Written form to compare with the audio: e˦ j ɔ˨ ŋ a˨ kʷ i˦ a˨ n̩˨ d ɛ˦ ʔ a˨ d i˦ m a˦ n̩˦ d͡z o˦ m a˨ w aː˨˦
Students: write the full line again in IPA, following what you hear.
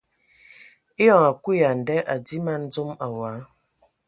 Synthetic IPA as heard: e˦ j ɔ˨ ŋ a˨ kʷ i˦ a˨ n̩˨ d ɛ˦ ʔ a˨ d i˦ m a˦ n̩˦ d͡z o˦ m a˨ w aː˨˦